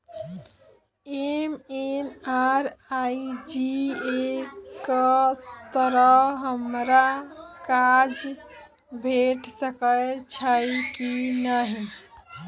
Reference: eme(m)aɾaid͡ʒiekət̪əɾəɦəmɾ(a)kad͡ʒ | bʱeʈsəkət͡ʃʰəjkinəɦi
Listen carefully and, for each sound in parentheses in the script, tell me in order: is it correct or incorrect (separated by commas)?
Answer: incorrect, correct